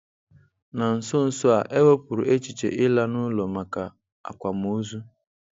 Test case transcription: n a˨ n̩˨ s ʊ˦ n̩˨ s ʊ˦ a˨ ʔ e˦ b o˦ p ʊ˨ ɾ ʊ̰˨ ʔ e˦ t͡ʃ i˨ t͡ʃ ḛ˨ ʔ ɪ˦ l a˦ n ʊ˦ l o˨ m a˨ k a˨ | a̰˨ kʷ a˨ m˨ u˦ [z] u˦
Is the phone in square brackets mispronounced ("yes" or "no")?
no